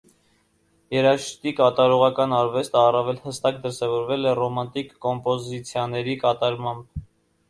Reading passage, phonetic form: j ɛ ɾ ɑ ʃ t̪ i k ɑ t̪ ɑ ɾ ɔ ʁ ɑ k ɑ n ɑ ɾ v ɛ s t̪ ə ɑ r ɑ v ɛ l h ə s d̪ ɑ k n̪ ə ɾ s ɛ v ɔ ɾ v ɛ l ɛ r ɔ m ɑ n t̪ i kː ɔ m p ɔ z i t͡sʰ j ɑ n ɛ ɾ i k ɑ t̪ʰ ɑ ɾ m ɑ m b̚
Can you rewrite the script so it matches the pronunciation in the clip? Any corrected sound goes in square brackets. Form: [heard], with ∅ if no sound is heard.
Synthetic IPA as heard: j ɛ ɾ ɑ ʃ t̪ i k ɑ t̪ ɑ ɾ ɔ ʁ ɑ k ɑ n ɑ ɾ v ɛ s t̪ ə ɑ r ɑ v ɛ l h ə s [t̪] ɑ k [d̪] ə ɾ s ɛ v ɔ ɾ v ɛ l ɛ r ɔ m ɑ n t̪ i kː ɔ m p ɔ z i t͡sʰ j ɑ n ɛ ɾ i k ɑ [t̪] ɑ ɾ m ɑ m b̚